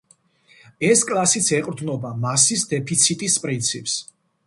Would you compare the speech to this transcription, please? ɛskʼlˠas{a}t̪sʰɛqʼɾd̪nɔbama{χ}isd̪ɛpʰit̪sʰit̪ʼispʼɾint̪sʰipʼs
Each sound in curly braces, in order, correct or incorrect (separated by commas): incorrect, incorrect